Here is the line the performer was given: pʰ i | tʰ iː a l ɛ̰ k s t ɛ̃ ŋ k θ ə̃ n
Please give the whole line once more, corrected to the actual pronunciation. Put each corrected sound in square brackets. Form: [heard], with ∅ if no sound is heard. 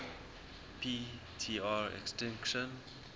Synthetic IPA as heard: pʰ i | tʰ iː a [ɹ] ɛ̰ k s t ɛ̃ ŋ k [ʃ] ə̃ n